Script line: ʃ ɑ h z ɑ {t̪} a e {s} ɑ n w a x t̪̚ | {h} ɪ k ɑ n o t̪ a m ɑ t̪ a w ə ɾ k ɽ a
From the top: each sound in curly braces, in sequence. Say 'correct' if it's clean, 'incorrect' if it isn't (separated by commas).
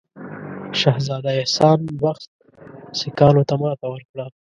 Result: incorrect, correct, incorrect